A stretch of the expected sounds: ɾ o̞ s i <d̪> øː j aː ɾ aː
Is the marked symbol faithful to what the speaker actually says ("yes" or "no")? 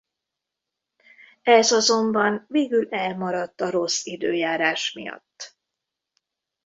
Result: yes